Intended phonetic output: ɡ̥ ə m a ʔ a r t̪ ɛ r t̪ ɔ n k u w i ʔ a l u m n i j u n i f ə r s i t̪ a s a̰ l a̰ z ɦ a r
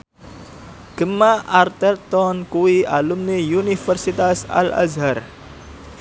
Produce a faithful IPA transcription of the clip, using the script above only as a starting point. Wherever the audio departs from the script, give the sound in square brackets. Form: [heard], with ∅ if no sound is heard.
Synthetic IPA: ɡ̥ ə m a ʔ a r t̪ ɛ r t̪ ɔ n k u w i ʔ a l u m n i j u n i f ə r s i t̪ a s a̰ l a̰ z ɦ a r